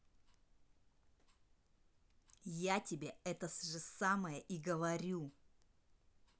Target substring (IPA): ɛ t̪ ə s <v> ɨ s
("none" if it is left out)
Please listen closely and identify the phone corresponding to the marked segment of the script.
ʐ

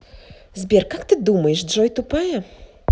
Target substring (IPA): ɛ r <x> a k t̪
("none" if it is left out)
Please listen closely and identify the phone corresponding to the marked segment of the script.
k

